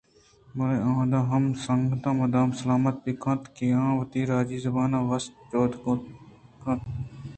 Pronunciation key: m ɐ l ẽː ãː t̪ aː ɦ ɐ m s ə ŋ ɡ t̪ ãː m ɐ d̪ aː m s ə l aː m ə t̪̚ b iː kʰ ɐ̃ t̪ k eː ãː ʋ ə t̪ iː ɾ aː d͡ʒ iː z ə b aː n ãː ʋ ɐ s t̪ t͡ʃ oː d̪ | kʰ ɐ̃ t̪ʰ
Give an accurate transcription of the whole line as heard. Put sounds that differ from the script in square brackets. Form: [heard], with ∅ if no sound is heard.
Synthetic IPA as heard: m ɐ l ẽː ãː [d̪] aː ɦ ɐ m s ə ŋ ɡ t̪ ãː m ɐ d̪ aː m s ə l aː m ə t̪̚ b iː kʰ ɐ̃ t̪ k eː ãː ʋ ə t̪ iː ɾ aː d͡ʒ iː z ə b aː n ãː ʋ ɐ s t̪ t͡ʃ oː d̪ | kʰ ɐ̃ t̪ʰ